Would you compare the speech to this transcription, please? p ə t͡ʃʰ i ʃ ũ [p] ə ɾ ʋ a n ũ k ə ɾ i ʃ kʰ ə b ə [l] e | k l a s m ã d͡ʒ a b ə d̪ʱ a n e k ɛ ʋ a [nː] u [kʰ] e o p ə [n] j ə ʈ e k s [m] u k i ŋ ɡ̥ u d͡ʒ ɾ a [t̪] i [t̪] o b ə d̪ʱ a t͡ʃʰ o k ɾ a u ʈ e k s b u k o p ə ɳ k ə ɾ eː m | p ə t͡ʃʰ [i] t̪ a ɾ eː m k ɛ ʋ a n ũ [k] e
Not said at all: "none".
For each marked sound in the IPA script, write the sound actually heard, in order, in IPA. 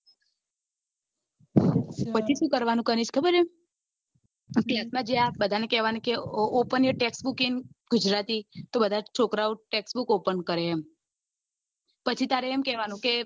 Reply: k, ɾ, n, k, n, b, t̪, t̪, i, k

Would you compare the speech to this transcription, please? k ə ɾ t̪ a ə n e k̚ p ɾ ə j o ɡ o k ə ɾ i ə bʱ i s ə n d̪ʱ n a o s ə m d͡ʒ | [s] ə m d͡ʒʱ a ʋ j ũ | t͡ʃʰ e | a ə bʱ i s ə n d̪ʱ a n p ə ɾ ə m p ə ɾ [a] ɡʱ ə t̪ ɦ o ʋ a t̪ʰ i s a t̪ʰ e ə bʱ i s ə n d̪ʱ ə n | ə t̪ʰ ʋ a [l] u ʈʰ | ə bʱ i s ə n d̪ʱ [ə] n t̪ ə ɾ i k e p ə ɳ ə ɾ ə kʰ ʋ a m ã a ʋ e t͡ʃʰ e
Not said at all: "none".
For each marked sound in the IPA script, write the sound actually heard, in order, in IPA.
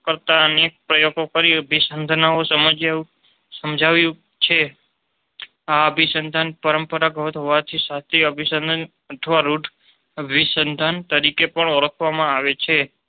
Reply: s, a, ɾ, a

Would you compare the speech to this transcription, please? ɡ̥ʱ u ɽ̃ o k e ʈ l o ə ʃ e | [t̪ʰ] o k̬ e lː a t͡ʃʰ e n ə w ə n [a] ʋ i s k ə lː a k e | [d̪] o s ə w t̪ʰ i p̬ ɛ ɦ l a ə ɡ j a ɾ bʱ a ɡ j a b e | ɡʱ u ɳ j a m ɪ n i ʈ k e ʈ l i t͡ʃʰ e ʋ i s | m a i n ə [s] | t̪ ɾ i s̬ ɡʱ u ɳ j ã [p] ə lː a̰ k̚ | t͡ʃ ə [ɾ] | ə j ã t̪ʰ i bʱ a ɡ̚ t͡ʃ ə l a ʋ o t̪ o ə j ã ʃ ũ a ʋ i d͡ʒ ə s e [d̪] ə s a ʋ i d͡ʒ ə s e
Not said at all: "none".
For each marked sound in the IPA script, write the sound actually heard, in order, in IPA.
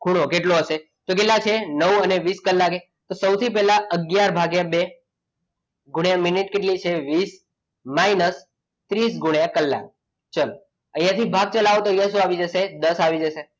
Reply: t̪, e, t̪, s, k, l, d̪

